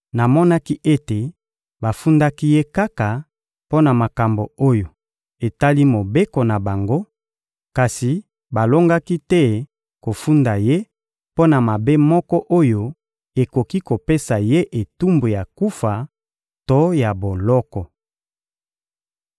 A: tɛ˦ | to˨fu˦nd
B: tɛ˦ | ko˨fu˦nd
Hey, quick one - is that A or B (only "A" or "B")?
B